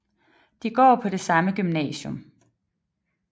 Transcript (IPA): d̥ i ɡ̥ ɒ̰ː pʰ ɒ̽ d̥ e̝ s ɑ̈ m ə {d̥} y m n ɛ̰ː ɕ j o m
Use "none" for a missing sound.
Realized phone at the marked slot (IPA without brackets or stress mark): ɡ̥